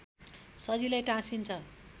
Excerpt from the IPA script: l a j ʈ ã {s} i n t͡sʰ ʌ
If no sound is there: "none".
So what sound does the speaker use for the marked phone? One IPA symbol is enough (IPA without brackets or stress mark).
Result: s